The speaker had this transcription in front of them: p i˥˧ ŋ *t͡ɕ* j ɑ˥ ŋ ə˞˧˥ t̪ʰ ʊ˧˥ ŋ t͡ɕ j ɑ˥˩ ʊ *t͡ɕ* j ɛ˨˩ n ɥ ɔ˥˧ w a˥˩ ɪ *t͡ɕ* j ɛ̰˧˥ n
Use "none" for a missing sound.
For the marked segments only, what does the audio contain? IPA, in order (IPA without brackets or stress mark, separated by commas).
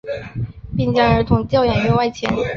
t͡ɕ, none, t͡ɕʰ